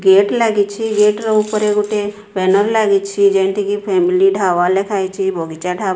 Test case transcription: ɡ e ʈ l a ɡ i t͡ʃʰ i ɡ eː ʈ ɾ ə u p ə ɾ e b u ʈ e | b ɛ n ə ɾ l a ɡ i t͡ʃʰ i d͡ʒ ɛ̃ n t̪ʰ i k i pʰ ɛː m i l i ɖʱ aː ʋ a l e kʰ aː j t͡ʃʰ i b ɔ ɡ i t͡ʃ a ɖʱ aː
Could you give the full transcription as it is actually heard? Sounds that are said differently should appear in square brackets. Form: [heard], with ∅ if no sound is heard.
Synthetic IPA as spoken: ɡ e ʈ l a ɡ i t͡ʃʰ i ɡ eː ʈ ɾ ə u p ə ɾ e [ɡ] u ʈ e | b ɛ n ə ɾ l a ɡ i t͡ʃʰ i d͡ʒ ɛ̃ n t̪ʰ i k i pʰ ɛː m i l i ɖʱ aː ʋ a l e kʰ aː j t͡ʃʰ i b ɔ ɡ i t͡ʃ a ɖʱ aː